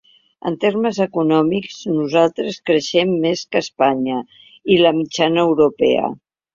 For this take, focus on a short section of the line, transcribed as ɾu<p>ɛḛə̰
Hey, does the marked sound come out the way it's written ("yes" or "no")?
yes